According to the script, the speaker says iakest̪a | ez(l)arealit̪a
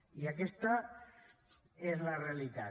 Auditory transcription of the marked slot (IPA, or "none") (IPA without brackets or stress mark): l